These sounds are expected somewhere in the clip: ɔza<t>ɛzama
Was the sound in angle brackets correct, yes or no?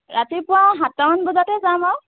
yes